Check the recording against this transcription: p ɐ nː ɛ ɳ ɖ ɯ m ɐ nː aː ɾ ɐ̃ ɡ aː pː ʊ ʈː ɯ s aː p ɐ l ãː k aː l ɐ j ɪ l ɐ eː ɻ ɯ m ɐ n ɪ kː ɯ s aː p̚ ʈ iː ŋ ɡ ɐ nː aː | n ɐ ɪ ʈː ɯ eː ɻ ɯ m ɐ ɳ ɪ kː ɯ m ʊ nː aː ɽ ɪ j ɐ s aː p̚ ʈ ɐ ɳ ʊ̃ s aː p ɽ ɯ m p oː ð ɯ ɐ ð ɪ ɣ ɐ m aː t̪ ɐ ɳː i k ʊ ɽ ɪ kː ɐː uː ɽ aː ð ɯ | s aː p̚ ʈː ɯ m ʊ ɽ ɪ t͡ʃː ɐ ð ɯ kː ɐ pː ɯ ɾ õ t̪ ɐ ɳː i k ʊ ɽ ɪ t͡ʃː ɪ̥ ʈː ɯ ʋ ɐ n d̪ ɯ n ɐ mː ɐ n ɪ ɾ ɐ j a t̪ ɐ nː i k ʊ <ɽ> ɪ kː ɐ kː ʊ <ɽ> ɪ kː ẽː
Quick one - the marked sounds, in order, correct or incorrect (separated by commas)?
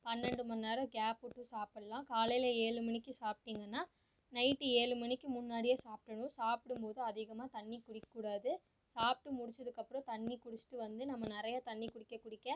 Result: correct, correct